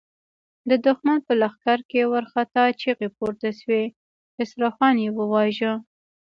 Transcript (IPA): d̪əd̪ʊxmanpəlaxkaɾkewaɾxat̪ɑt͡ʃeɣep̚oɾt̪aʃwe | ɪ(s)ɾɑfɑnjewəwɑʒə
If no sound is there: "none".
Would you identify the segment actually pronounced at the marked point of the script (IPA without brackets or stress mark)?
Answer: s